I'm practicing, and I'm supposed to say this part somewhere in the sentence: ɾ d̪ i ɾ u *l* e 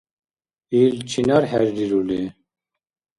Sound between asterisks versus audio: correct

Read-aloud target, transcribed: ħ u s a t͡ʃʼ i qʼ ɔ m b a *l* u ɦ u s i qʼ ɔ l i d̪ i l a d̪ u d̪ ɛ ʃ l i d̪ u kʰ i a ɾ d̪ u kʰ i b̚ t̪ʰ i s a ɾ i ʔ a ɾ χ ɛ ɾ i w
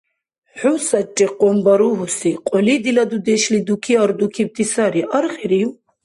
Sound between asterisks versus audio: incorrect: ɾ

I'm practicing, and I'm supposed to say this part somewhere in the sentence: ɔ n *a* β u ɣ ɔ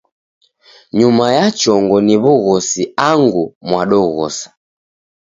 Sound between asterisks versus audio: incorrect: i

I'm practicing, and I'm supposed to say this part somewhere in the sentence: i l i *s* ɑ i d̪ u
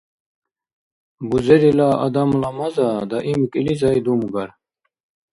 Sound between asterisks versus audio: incorrect: z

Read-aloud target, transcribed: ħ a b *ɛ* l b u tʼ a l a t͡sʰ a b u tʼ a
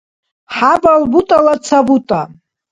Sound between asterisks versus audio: incorrect: a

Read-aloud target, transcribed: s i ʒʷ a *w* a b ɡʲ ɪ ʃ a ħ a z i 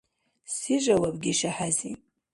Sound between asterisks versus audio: correct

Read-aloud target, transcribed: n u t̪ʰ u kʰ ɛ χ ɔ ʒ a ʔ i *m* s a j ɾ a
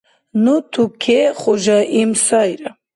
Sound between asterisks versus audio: correct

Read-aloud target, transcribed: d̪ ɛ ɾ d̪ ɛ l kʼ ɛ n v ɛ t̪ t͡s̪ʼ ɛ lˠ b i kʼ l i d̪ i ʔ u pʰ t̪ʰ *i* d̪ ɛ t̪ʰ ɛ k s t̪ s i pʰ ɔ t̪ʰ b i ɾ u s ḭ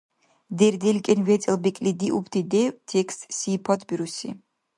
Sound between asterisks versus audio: correct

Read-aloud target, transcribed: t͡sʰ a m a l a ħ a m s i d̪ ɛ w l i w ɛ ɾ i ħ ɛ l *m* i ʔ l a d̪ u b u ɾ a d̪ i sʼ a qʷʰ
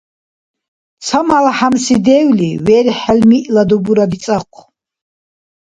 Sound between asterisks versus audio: correct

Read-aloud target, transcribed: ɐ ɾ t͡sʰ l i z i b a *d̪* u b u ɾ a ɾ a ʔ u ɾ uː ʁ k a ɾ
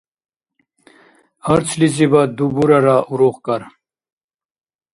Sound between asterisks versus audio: correct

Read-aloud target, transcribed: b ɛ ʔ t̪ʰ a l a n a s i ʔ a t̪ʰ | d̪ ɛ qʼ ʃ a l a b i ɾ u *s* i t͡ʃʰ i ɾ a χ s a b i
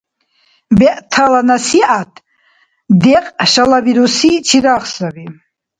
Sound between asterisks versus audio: correct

